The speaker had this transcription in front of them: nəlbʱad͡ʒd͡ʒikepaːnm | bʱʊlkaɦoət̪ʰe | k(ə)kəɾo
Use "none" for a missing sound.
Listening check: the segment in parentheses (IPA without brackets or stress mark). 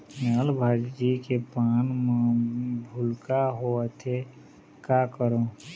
a